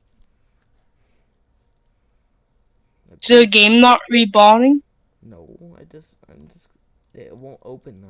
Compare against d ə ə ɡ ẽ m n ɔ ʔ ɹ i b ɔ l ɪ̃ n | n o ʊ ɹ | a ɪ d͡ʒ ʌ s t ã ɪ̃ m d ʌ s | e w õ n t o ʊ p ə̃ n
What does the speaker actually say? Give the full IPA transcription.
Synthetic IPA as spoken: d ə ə ɡ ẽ m n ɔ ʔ ɹ i b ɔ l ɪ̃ ŋ | n o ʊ | a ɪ d͡ʒ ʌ s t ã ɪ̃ m d͡ʒ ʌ s | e w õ n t o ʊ p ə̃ n